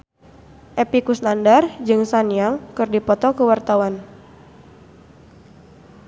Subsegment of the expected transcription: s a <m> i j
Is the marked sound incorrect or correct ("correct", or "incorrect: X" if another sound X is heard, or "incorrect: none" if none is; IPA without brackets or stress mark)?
incorrect: n